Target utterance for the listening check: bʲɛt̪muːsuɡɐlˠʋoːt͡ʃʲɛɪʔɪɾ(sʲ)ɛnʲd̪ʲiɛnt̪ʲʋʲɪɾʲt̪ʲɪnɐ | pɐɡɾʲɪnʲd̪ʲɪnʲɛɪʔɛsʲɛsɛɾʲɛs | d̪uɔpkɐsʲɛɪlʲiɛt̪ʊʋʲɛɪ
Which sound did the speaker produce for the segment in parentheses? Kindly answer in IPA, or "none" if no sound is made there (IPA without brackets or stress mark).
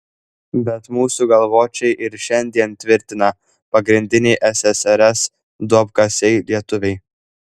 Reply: ʃʲ